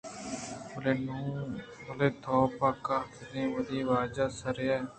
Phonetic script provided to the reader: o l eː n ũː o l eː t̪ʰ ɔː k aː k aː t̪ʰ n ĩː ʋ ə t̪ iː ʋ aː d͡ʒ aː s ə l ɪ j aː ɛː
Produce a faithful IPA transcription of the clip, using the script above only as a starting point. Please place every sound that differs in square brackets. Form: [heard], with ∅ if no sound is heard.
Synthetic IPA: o l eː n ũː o l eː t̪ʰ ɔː [p] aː k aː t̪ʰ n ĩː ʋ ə [d̪] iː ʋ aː d͡ʒ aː s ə [ɾ] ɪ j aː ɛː

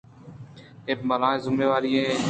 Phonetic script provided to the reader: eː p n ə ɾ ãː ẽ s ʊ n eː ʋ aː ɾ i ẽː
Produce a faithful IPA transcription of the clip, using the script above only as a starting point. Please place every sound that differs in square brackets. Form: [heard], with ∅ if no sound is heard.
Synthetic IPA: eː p [m] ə [l] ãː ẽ [z] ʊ [m] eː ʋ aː ɾ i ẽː

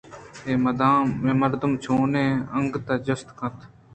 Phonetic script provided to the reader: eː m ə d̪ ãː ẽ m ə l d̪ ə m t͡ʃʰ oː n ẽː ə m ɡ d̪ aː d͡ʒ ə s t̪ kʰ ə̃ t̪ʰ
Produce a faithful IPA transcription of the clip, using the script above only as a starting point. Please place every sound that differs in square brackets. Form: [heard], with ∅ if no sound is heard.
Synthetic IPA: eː m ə d̪ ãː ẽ m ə [ɾ] d̪ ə m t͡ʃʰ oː n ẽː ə [ŋ] ɡ [t̪] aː d͡ʒ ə s t̪ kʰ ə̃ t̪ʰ

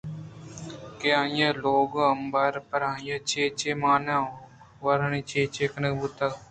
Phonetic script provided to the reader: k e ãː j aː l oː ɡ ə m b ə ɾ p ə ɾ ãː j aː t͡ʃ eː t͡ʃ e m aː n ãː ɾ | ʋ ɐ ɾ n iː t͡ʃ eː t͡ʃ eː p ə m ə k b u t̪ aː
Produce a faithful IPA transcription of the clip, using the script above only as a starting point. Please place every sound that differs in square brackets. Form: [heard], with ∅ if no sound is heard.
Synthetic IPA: k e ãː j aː l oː ɡ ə m b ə ɾ p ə ɾ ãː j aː t͡ʃ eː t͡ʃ e m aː n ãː [∅] | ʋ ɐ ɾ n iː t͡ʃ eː t͡ʃ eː [k] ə [n] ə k b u t̪ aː

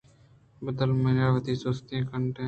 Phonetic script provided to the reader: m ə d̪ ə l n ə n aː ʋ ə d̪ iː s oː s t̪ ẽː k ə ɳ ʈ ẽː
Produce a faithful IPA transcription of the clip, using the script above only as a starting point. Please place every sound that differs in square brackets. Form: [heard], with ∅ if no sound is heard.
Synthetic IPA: [b] ə d̪ ə l [m] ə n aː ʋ ə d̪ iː s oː s t̪ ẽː k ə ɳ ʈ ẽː

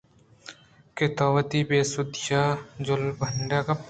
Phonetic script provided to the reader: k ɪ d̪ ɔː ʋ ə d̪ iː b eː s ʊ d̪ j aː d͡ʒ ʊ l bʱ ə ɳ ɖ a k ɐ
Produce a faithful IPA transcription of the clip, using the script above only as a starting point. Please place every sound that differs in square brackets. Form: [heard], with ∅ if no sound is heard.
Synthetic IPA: k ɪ [t̪] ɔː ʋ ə [t̪] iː b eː s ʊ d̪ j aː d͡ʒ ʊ l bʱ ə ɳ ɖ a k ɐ

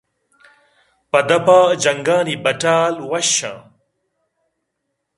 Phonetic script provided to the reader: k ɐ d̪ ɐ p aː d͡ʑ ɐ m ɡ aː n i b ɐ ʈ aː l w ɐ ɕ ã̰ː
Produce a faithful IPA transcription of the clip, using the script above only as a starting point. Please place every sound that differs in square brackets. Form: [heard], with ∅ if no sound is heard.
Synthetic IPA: [p] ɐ d̪ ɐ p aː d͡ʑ ɐ [ŋ] ɡ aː n i b ɐ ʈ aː l w ɐ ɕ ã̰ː

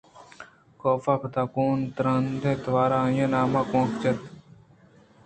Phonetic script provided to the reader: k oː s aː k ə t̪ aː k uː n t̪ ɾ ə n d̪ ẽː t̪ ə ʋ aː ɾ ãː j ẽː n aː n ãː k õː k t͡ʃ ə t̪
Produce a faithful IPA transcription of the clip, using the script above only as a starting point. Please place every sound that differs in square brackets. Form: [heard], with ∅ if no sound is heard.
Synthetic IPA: k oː [f] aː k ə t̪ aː k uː n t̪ ɾ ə n d̪ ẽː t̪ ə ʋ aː ɾ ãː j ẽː n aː [m] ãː k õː k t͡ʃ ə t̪

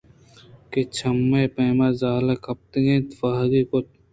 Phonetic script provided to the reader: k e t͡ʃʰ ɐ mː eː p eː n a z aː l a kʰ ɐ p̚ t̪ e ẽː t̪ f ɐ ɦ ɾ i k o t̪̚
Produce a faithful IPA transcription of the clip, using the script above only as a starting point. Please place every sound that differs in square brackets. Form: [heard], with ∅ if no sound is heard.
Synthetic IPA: k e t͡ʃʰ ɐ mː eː p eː [m] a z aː l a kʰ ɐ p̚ t̪ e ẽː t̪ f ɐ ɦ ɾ i k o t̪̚

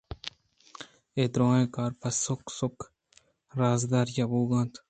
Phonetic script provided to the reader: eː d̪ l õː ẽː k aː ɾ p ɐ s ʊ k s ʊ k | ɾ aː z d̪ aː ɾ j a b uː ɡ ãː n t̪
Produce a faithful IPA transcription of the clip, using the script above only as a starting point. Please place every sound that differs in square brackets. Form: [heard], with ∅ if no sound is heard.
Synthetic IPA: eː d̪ [ɾ] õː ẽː k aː ɾ p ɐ s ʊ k s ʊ k | ɾ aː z d̪ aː ɾ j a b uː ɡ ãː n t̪

